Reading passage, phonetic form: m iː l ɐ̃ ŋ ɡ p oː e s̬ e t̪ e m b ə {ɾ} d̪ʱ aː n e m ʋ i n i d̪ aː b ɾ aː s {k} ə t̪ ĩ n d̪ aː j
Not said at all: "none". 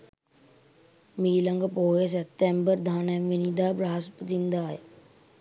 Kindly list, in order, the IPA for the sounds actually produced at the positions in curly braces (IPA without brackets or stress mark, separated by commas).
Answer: ɾ, p